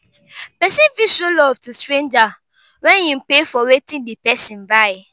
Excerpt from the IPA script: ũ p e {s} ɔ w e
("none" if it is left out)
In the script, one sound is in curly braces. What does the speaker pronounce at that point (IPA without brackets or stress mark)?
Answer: f